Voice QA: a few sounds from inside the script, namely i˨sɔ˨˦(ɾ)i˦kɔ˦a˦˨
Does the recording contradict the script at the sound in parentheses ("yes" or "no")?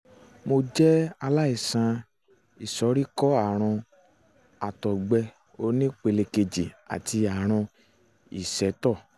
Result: no